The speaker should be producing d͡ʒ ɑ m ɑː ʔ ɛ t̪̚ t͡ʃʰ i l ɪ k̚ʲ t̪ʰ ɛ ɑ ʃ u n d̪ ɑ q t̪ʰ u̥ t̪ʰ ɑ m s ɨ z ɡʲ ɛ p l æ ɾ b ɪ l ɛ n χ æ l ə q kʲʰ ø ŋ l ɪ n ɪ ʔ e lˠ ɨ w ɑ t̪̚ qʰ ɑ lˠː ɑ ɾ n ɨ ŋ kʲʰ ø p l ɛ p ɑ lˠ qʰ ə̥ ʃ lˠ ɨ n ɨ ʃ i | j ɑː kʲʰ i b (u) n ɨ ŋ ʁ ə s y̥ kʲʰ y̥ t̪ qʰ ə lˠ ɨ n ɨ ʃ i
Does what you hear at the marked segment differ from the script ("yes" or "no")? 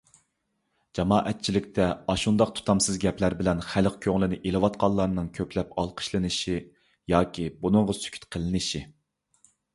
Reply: no